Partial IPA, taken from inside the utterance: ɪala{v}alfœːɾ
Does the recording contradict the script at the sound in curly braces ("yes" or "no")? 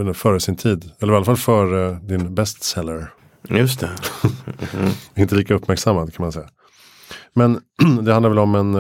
yes